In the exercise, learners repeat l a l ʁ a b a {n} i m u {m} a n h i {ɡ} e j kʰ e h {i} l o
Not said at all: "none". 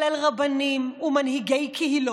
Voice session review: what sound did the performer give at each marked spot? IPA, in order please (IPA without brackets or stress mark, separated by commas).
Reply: n, m, ɡ, i